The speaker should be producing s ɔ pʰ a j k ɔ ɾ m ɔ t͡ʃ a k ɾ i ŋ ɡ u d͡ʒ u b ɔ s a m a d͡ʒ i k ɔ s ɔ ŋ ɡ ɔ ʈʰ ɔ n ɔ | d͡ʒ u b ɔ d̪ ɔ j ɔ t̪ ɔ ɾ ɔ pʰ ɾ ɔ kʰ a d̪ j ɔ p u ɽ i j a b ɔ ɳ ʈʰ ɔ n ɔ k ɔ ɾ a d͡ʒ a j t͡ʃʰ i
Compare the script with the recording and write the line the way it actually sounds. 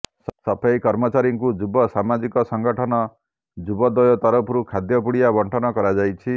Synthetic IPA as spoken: s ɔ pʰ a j k ɔ ɾ m ɔ t͡ʃ a ɾ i ŋ k u d͡ʒ u b ɔ s a m a d͡ʒ i k ɔ s ɔ ŋ ɡ ɔ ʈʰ ɔ n ɔ | d͡ʒ u b ɔ d̪ ɔ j ɔ t̪ ɔ ɾ ɔ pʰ ɾ u kʰ a d̪ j ɔ p u ɽ i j a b ɔ ɳ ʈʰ ɔ n ɔ k ɔ ɾ a d͡ʒ a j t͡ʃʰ i